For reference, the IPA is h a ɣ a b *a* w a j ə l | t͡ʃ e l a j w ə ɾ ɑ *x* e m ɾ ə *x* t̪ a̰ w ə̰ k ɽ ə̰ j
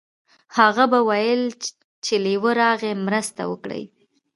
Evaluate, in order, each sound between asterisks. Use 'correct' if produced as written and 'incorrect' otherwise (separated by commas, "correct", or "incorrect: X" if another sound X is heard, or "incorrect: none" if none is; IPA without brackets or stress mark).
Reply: correct, incorrect: ɣ, incorrect: s